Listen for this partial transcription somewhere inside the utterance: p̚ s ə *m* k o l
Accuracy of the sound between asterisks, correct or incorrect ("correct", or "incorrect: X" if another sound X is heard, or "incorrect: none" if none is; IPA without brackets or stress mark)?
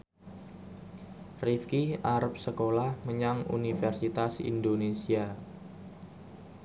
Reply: incorrect: none